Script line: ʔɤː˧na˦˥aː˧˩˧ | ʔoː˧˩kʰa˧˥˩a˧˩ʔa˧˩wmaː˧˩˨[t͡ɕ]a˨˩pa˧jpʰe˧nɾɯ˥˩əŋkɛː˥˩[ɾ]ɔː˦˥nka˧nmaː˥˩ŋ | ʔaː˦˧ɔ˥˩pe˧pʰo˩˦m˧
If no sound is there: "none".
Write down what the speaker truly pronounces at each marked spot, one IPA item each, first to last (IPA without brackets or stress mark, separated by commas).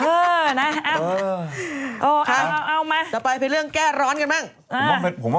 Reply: t͡ɕ, ɾ